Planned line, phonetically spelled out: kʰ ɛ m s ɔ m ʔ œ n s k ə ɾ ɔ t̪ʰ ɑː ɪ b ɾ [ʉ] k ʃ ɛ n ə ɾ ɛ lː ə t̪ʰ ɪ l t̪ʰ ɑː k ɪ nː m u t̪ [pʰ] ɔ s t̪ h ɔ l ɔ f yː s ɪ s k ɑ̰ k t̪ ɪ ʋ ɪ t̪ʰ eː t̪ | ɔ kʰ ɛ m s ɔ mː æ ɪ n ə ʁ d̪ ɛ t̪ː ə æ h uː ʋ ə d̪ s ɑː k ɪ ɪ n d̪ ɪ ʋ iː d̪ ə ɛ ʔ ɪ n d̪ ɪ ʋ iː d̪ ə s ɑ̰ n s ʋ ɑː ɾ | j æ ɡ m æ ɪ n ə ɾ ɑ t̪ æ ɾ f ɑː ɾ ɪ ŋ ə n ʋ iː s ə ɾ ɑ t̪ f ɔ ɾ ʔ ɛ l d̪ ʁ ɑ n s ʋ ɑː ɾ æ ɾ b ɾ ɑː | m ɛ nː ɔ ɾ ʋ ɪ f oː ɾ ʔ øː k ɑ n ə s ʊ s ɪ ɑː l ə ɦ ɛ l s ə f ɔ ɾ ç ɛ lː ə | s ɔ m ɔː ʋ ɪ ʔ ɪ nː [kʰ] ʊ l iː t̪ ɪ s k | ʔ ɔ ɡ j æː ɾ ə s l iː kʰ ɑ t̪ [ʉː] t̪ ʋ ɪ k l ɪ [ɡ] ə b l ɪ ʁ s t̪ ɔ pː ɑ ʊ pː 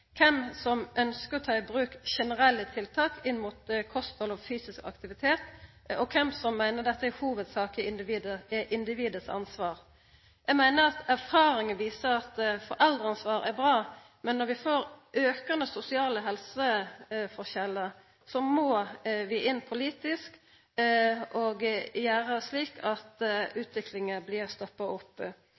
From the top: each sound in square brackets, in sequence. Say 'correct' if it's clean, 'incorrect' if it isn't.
incorrect, incorrect, incorrect, correct, incorrect

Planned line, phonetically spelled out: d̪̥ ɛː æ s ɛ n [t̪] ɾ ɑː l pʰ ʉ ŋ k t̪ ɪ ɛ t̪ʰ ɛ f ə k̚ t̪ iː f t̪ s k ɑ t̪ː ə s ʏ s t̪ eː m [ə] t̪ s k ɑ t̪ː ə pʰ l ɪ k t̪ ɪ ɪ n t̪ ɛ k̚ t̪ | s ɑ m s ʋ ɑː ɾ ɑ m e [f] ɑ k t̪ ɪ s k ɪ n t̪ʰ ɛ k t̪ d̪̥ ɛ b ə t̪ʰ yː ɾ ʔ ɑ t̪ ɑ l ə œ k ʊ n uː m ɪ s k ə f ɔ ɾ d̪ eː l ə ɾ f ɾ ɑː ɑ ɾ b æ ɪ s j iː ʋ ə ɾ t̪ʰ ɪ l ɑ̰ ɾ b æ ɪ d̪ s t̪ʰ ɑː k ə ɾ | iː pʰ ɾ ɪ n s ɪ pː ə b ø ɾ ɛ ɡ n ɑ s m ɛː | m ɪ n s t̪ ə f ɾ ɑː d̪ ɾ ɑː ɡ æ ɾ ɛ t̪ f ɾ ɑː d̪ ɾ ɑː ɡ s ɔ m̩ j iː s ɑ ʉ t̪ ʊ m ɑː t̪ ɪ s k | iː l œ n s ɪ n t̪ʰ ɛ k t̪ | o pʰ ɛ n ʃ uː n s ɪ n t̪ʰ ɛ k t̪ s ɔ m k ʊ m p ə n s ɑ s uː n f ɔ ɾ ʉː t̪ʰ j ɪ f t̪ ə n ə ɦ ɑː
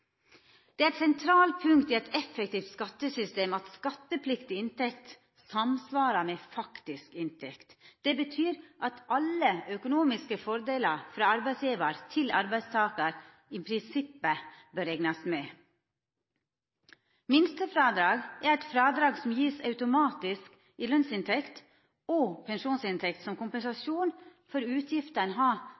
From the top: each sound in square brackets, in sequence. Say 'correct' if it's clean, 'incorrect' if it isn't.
incorrect, incorrect, correct

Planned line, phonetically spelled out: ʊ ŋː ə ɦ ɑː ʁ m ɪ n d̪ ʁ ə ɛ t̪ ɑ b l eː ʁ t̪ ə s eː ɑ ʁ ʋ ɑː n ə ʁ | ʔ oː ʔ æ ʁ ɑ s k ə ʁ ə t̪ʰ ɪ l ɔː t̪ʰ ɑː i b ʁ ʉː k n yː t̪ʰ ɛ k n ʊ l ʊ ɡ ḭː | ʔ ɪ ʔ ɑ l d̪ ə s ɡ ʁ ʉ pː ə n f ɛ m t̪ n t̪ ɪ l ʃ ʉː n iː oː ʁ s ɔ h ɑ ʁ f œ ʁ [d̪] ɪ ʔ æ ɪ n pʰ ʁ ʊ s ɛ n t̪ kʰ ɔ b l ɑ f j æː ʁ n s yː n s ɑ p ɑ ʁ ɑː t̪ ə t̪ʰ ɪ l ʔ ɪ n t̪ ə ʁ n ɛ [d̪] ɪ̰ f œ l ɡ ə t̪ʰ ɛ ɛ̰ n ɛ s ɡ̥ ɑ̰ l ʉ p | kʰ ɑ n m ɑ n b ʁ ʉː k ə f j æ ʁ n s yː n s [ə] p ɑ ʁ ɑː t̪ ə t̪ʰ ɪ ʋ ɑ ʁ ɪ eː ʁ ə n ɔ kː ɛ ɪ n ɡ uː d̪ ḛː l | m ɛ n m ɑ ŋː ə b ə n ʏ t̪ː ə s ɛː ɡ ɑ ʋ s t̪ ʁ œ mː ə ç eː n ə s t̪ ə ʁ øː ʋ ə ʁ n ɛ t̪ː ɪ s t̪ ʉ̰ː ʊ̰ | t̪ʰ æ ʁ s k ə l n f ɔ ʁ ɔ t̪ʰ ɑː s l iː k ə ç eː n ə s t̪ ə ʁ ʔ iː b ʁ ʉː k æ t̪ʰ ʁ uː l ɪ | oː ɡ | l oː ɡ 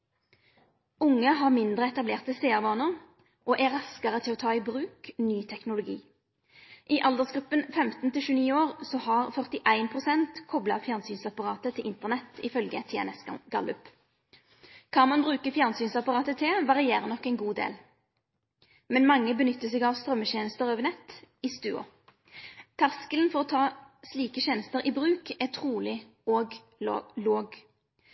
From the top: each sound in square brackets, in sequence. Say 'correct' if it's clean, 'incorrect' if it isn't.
incorrect, incorrect, incorrect

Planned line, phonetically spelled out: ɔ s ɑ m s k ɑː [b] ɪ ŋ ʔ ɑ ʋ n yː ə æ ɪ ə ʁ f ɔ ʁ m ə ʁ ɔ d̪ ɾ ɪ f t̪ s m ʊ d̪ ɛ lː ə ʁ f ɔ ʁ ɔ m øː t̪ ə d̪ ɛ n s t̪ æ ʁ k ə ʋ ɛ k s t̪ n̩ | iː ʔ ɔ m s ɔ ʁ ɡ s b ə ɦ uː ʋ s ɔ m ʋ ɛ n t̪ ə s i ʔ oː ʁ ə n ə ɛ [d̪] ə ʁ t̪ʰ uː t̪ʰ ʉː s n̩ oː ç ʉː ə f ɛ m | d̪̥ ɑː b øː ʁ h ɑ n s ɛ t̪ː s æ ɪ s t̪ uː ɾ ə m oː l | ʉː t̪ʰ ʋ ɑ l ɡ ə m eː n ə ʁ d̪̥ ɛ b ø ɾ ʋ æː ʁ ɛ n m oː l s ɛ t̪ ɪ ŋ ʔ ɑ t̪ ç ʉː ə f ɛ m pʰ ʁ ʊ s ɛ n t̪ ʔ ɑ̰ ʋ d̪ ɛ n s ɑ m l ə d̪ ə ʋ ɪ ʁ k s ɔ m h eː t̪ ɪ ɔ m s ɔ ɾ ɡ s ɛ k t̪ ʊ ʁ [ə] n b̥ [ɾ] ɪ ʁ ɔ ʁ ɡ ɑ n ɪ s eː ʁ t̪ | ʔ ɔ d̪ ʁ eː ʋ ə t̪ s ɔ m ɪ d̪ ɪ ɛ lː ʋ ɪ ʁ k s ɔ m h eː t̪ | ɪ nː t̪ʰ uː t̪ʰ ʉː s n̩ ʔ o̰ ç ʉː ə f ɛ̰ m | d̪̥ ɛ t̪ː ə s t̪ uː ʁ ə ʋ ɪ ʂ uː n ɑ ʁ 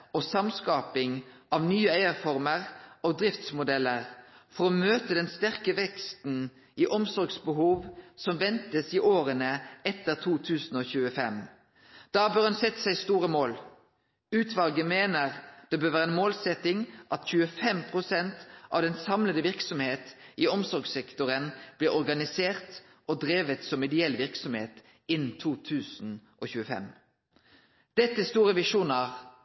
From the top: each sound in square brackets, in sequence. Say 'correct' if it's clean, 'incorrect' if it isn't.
incorrect, incorrect, correct, incorrect

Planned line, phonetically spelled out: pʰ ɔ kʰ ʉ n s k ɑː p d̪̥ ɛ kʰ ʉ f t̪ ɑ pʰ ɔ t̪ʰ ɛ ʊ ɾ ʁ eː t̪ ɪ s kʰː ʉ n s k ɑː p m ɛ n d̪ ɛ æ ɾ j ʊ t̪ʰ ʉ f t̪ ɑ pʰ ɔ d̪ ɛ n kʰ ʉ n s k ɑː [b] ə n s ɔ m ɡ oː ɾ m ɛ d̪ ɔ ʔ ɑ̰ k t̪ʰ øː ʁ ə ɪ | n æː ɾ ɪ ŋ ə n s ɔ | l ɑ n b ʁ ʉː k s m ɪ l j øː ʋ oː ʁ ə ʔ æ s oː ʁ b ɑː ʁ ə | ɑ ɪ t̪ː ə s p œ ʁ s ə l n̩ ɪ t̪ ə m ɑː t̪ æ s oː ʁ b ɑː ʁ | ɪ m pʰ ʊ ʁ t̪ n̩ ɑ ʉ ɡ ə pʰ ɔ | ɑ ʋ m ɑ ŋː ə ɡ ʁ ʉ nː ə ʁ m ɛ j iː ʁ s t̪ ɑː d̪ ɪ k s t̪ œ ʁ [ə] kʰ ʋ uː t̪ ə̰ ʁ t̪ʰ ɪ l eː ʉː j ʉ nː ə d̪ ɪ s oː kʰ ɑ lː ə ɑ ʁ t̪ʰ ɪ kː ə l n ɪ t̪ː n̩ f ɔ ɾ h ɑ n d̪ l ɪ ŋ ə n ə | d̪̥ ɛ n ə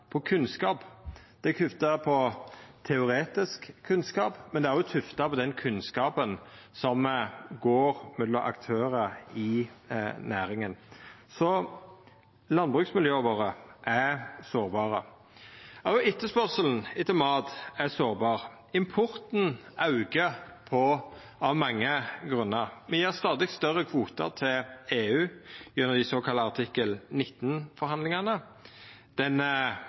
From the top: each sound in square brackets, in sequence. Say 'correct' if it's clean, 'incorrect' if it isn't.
incorrect, correct

